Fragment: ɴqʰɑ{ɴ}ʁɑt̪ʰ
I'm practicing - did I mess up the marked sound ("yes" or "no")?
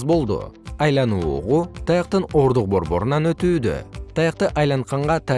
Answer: no